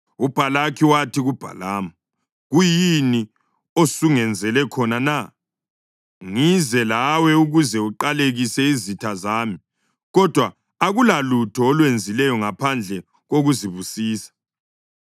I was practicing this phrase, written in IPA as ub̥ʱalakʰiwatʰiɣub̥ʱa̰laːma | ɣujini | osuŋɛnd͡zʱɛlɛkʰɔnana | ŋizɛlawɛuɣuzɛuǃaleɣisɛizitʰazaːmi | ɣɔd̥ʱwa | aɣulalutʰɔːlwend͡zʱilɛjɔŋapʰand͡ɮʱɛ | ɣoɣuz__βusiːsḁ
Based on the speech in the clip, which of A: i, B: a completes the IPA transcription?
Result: A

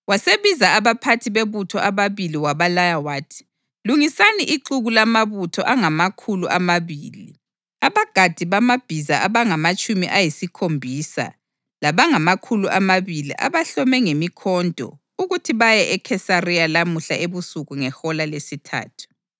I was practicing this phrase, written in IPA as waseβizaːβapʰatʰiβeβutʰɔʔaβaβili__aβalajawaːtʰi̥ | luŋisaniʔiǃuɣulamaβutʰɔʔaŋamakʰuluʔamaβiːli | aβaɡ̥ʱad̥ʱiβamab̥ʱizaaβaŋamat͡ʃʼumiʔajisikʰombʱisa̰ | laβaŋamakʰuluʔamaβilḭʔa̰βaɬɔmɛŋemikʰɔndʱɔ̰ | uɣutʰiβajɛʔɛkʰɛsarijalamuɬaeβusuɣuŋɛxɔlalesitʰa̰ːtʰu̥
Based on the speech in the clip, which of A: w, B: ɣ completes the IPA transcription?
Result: A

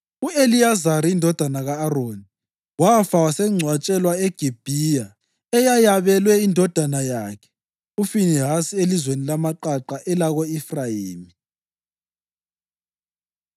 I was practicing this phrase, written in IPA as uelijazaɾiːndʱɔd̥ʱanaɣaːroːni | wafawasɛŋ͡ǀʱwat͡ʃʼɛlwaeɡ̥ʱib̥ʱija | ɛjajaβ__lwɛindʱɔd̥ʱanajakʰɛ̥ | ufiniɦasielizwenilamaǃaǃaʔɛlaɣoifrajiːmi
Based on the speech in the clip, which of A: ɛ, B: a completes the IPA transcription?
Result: A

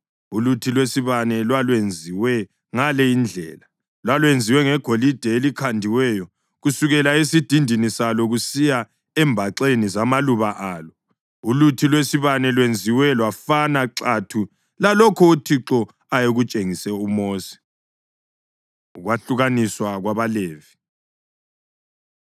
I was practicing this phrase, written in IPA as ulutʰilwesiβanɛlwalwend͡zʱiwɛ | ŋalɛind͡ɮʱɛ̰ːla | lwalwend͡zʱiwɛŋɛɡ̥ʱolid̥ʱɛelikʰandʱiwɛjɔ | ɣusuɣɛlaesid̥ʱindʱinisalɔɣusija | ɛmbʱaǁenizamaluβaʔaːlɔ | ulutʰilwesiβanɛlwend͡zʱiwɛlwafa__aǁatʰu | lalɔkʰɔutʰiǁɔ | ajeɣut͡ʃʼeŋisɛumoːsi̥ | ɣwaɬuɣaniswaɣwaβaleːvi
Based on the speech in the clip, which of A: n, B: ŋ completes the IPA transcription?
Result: A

